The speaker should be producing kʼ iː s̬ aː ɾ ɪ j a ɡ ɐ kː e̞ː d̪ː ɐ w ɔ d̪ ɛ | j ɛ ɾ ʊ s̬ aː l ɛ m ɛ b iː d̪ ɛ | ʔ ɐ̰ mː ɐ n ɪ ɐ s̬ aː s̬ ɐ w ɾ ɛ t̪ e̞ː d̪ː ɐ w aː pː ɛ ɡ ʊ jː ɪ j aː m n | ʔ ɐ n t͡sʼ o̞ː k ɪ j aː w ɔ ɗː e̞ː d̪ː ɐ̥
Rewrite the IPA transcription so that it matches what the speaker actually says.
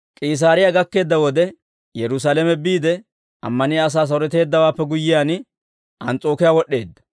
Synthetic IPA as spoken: kʼ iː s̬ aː ɾ ɪ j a ɡ ɐ kː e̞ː d̪ː ɐ w ɔ d̪ ɛ | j ɛ ɾ ʊ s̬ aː l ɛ m ɛ b iː d̪ ɛ | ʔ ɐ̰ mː ɐ n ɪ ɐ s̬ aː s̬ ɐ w ɾ ɛ t̪ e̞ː d̪ː ɐ w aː pː ɛ ɡ ʊ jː ɪ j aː n | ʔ ɐ n t͡sʼ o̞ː k ɪ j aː w ɔ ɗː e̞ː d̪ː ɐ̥

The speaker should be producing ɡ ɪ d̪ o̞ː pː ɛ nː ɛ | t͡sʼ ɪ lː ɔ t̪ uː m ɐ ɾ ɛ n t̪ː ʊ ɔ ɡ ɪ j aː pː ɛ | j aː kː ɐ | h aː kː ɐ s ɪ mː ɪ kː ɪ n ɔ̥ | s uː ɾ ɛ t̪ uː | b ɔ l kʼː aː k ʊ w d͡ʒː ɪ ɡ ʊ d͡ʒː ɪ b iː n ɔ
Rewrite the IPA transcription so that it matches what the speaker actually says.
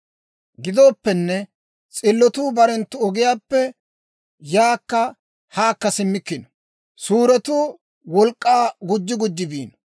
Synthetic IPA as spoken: ɡ ɪ d̪ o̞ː pː ɛ nː ɛ | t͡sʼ ɪ lː ɔ t̪ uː b ɐ ɾ ɛ n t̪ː ʊ ɔ ɡ ɪ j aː pː ɛ | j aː kː ɐ | h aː kː ɐ s ɪ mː ɪ kː ɪ n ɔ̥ | s uː ɾ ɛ t̪ uː | w ɔ l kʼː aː ɡ ʊ d͡ʒː ɪ ɡ ʊ d͡ʒː ɪ b iː n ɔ

